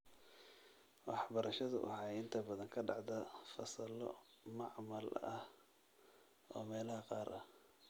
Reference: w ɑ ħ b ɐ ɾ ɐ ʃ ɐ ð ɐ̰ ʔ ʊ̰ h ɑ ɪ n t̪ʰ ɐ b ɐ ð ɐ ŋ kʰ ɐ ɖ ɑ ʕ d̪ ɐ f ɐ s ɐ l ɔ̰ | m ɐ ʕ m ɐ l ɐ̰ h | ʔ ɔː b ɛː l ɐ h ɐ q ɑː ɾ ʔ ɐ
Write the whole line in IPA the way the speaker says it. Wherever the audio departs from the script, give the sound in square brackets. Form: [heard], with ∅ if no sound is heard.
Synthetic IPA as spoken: w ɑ ħ b ɐ ɾ ɐ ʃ ɐ ð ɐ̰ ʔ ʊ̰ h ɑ ɪ n t̪ʰ ɐ b ɐ ð ɐ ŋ kʰ ɐ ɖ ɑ ʕ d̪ ɐ f ɐ s ɐ l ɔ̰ | m [ɑ] ʕ m ɐ l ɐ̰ h | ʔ ɔː [m] ɛː l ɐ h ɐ q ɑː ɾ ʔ ɐ